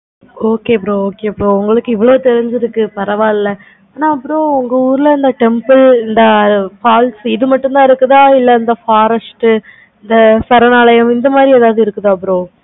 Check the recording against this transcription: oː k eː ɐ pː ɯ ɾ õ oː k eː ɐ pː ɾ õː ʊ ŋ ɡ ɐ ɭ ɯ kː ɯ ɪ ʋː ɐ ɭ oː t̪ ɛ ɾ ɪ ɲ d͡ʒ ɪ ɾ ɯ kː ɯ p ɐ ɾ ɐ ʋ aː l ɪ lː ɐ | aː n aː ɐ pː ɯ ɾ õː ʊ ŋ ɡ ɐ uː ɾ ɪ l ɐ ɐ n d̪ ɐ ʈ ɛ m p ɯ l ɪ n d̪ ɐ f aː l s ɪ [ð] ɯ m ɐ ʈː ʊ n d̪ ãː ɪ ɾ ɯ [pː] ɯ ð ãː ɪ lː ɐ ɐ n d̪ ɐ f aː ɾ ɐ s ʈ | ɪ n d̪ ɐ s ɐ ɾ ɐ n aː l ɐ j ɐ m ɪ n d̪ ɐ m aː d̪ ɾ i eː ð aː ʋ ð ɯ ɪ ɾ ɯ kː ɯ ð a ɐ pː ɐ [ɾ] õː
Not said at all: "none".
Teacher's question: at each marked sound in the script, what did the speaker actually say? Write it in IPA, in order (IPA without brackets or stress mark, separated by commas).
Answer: ð, kː, ɾ